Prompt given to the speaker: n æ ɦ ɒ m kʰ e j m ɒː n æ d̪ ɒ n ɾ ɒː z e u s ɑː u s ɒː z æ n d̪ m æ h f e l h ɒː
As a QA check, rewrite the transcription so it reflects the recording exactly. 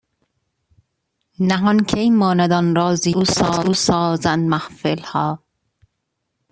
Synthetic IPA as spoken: n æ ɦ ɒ n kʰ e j m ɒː n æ d̪ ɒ n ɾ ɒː z i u s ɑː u s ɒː z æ n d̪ m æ h f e l h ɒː